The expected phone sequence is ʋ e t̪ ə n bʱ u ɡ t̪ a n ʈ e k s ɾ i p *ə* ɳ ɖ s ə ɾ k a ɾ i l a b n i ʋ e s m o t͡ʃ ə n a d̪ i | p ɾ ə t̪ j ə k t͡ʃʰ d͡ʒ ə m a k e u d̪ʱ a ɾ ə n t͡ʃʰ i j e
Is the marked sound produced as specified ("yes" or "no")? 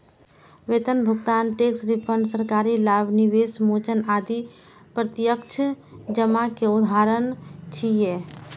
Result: yes